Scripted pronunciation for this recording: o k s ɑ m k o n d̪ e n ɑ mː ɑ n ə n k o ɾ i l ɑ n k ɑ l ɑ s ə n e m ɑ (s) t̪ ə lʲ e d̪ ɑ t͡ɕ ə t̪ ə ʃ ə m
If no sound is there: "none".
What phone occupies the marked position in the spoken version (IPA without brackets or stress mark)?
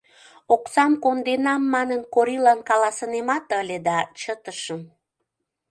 none